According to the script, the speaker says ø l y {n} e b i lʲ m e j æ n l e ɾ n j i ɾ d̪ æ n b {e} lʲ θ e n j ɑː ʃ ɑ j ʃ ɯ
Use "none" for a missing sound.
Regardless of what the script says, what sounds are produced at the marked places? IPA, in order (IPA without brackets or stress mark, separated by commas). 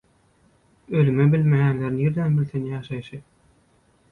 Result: m, i